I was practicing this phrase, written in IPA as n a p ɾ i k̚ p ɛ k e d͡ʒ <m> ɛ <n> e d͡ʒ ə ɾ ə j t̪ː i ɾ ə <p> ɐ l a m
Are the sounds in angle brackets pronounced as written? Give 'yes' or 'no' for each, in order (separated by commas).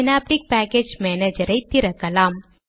yes, yes, no